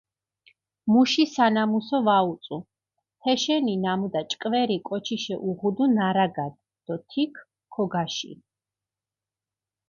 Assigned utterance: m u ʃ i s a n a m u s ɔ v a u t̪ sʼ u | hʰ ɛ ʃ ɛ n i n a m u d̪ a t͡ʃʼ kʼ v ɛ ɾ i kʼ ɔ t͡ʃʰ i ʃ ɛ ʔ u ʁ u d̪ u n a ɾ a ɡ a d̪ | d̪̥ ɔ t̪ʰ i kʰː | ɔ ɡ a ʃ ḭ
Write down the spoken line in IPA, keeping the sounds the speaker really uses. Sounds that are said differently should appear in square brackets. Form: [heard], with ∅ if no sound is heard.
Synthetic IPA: m u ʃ i s a n a m u s ɔ v a u t̪ sʼ u | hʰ ɛ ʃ ɛ n i n a m u d̪ a t͡ʃʼ kʼ v ɛ ɾ i kʼ ɔ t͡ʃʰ i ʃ ɛ ʔ u ʁ u d̪ u n a ɾ a ɡ a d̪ | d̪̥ ɔ t̪ʰ i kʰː | ɔ ɡ a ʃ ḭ